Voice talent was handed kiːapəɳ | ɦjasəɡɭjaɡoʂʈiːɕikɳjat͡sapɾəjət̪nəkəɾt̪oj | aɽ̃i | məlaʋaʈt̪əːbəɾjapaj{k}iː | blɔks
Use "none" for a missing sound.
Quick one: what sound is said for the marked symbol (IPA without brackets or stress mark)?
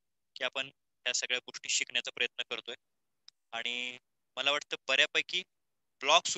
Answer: k